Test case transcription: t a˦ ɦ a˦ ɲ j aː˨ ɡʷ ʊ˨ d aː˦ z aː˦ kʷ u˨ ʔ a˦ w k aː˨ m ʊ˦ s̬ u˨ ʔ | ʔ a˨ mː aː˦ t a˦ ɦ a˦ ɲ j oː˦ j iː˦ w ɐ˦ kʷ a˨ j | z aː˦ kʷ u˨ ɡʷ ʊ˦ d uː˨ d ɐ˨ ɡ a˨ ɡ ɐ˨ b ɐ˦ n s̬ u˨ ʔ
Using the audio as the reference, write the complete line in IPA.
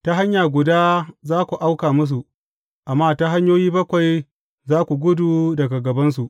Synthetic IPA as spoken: t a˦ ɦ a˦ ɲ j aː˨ ɡʷ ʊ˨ d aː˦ z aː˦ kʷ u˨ ʔ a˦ w k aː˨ m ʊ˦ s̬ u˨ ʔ | ʔ a˨ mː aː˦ t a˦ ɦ a˦ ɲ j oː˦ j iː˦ b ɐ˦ kʷ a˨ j | z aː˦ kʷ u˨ ɡʷ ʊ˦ d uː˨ d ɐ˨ ɡ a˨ ɡ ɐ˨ b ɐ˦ n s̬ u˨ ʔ